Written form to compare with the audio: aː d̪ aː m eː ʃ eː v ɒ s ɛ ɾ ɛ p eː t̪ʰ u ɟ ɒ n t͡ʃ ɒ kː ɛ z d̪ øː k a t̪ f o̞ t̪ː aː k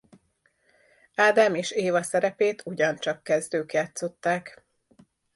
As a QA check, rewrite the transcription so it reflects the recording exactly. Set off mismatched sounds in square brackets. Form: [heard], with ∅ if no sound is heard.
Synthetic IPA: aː d̪ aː m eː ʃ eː v ɒ s ɛ ɾ ɛ p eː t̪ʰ u ɟ ɒ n t͡ʃ ɒ kː ɛ z d̪ øː k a t̪ [s] o̞ t̪ː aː k

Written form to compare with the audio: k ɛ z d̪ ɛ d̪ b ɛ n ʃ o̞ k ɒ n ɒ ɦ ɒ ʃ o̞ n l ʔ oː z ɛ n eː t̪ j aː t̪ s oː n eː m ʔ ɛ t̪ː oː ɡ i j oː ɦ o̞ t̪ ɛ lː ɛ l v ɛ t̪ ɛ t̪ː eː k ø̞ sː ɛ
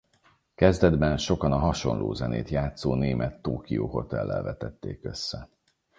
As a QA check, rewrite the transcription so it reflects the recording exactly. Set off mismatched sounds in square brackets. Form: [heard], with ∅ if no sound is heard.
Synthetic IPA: k ɛ z d̪ ɛ d̪ b ɛ n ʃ o̞ k ɒ n ɒ ɦ ɒ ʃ o̞ n l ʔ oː z ɛ n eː t̪ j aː t̪ s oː n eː m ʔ ɛ t̪ː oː [k] i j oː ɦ o̞ t̪ ɛ lː ɛ l v ɛ t̪ ɛ t̪ː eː k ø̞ sː ɛ

